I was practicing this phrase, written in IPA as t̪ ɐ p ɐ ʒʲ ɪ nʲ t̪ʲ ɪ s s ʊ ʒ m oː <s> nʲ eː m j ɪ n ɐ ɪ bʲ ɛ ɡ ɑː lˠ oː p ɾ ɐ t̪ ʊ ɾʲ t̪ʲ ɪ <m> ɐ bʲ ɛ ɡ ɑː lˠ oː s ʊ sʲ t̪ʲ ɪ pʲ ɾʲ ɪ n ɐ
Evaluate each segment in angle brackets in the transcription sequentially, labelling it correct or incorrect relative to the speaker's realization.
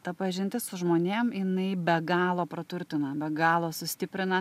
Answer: incorrect, incorrect

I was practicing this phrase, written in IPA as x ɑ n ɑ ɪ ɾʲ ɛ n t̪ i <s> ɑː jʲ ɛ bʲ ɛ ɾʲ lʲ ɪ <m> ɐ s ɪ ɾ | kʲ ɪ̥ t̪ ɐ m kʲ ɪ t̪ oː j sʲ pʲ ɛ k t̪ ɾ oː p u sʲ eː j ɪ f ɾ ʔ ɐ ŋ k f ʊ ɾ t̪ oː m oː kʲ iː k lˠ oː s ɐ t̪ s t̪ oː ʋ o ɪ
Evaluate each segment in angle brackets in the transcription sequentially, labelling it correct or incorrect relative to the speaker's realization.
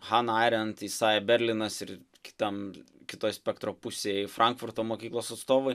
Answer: correct, incorrect

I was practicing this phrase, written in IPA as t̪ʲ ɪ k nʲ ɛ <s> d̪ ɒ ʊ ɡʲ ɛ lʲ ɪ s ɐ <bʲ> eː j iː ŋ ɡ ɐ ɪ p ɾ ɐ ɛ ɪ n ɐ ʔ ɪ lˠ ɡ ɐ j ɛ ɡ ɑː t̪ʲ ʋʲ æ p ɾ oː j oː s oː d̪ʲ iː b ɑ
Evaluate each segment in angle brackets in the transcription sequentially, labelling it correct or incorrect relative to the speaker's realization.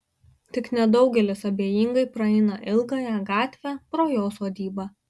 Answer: incorrect, correct

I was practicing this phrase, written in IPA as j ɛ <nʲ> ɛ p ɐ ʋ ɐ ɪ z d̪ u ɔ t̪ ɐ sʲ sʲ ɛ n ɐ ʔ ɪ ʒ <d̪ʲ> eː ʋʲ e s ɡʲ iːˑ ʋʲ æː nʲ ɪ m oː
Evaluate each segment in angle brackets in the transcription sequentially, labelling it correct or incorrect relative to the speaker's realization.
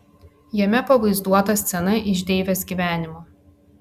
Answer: incorrect, correct

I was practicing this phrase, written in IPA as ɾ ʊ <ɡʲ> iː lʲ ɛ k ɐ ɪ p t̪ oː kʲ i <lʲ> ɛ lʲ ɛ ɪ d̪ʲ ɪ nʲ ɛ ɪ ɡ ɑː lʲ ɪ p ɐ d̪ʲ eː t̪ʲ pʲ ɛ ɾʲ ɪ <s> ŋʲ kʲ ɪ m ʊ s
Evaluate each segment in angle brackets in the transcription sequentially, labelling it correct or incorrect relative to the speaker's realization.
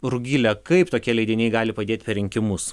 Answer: correct, incorrect, incorrect

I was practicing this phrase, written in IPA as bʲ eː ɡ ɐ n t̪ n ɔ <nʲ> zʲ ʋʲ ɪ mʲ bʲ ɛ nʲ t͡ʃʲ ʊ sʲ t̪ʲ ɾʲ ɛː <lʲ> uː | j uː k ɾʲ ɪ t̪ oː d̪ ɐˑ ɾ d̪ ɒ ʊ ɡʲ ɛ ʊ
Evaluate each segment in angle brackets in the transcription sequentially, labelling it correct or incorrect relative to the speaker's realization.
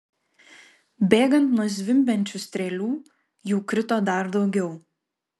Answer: incorrect, correct

